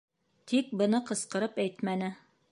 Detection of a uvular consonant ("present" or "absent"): present